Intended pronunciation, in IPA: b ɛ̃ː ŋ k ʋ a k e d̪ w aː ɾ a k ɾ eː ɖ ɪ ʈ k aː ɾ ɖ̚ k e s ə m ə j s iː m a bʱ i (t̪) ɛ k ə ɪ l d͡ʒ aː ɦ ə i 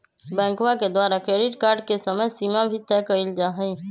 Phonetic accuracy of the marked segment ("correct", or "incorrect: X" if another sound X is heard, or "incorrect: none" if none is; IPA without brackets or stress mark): correct